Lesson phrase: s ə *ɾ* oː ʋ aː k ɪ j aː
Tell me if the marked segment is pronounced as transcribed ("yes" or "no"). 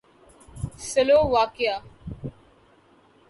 no